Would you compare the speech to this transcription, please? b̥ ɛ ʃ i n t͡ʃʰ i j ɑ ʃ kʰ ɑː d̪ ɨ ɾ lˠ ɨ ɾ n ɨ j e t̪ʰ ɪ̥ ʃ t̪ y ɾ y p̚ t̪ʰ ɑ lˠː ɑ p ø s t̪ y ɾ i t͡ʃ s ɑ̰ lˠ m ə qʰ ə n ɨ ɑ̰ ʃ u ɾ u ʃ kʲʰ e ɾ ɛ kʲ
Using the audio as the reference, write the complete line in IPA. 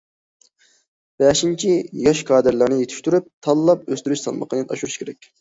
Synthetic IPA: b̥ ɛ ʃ i n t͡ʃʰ i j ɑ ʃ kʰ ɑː d̪ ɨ ɾ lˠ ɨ ɾ n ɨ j e t̪ʰ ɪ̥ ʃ t̪ y ɾ y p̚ t̪ʰ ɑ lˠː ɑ p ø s t̪ y ɾ y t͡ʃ s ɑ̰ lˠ m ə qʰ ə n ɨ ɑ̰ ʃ u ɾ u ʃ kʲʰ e ɾ ɛ kʲ